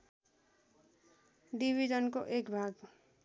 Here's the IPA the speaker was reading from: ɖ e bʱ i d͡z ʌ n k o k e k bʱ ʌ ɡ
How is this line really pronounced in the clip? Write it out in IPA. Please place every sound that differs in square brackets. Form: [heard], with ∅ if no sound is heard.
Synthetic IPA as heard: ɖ [i] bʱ i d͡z ʌ n k o [ʔ] e k bʱ [a] ɡ